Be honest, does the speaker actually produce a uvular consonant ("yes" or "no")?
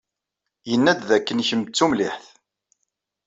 no